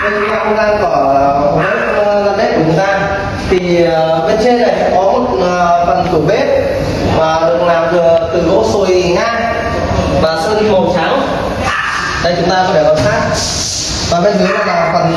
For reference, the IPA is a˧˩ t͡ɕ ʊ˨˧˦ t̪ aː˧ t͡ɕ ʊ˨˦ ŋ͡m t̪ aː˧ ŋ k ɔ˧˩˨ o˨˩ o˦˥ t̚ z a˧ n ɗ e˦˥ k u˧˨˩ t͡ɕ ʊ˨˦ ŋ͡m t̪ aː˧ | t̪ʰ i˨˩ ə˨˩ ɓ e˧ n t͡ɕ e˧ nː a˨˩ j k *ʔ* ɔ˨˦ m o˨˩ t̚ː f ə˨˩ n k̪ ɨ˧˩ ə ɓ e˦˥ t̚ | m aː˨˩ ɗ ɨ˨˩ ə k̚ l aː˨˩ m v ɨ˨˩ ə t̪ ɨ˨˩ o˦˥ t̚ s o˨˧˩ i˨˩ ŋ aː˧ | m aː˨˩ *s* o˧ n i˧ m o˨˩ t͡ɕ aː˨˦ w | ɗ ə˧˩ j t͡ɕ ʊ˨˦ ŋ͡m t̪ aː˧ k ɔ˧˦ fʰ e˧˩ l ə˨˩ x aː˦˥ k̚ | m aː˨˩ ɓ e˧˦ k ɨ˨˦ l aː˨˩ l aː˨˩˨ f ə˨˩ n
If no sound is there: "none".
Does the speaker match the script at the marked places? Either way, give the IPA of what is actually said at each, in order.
k, s

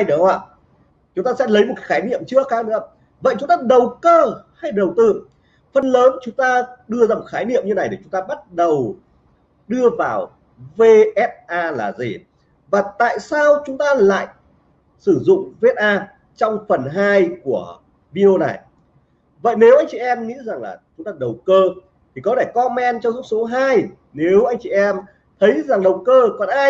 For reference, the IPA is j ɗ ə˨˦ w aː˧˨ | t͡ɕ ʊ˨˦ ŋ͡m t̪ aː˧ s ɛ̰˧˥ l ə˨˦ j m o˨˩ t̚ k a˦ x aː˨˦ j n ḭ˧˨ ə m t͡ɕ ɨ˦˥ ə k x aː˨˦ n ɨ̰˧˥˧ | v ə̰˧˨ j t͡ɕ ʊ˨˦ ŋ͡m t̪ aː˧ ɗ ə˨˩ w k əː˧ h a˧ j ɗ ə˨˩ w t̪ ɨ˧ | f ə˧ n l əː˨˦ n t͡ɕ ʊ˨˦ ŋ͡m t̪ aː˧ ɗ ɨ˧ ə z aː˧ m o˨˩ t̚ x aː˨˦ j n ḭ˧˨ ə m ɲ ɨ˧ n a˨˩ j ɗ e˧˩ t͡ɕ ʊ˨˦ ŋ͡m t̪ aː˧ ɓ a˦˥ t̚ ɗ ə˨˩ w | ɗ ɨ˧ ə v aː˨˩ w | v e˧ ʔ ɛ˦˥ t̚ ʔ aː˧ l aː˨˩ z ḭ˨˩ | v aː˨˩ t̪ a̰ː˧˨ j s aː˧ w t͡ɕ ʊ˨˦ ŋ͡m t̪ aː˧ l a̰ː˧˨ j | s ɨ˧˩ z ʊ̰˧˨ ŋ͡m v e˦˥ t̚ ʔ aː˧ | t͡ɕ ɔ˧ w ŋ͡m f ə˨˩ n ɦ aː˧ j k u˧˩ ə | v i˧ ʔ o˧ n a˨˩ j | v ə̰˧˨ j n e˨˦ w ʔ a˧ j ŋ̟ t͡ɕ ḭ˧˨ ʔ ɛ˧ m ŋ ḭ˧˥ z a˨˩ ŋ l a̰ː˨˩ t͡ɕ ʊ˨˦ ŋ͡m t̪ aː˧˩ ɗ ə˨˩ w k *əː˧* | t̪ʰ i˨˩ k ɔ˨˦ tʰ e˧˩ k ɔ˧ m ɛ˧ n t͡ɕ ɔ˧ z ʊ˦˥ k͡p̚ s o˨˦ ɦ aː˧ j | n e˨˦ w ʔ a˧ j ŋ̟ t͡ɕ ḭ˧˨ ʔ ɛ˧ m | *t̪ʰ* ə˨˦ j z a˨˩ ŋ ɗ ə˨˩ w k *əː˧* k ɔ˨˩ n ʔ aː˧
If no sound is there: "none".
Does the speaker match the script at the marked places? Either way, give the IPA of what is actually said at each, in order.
əː˧, t̪ʰ, əː˧

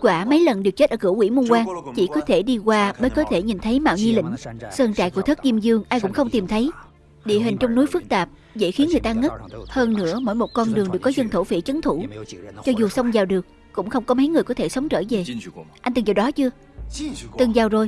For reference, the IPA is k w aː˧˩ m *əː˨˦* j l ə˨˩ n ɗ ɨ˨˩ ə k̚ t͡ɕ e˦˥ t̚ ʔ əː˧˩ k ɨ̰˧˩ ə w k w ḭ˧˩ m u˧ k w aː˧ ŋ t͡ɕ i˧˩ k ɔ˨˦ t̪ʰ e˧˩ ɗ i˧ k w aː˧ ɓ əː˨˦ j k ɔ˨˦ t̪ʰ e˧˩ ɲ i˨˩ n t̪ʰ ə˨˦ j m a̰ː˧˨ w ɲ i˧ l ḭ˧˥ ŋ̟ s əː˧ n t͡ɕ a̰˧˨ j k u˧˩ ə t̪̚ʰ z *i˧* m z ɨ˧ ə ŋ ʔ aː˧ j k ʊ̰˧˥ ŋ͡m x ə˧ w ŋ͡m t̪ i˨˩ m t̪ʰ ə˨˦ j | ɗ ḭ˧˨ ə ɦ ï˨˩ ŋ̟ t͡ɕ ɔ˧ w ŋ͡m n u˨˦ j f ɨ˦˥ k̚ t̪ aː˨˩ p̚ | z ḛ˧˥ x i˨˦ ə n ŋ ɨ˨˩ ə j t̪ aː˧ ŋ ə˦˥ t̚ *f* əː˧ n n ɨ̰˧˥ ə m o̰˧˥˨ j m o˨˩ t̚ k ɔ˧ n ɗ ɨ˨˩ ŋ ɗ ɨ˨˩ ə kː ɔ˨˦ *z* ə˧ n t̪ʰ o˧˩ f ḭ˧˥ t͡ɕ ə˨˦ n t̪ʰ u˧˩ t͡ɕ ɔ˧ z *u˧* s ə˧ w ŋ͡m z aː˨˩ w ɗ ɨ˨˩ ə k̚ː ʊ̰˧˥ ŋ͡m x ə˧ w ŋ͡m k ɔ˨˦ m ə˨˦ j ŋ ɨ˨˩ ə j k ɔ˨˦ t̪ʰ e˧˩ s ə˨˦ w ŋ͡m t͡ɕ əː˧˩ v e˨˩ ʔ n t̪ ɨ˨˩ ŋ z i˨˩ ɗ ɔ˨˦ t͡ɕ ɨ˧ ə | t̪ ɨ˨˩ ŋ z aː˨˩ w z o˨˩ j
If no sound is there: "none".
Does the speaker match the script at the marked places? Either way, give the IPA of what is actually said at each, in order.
ə˨˦, i˧, h, z, u˨˩

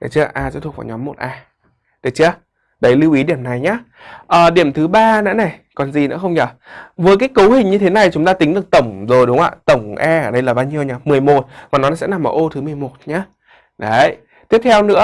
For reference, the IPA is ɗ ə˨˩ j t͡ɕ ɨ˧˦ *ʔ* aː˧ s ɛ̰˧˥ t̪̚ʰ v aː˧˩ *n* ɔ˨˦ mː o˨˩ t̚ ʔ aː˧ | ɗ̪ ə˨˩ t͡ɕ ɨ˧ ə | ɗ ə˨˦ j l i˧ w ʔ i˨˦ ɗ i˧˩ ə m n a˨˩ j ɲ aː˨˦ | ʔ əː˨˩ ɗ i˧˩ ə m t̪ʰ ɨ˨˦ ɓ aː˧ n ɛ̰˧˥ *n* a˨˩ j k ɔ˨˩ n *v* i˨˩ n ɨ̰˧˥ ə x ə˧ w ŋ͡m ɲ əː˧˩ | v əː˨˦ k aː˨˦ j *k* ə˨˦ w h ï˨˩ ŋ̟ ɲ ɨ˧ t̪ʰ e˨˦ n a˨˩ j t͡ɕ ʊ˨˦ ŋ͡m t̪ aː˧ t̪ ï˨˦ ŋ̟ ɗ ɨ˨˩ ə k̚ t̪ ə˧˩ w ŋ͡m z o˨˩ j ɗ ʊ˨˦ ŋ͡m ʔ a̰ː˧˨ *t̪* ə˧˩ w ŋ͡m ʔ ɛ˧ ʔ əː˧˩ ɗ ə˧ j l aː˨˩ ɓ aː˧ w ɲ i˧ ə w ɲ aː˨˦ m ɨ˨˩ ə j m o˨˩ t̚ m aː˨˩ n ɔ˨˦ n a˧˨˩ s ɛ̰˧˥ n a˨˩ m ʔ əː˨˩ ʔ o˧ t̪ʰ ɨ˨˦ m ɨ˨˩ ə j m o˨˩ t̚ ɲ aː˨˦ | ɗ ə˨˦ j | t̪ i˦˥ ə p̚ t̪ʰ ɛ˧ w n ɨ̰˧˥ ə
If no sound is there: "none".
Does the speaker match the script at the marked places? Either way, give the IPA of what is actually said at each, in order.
ʔ, ɲ, n, z, k, t̪

